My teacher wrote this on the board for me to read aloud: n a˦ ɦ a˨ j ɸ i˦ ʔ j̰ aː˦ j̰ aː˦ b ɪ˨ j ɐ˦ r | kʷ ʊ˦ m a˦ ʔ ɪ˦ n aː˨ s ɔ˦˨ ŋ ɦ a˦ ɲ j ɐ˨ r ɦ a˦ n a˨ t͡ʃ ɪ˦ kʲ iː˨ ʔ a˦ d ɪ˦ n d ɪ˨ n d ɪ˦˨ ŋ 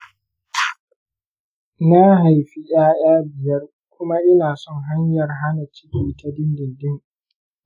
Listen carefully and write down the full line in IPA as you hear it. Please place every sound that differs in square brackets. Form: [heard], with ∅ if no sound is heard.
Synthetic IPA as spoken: n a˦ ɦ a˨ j ɸ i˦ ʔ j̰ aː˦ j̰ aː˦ b ɪ˨ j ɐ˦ r | kʷ ʊ˦ m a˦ ʔ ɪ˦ n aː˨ s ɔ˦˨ ŋ ɦ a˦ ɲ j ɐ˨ r ɦ a˦ n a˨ t͡ʃ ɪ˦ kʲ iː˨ [t] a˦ d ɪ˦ n d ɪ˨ n d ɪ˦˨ ŋ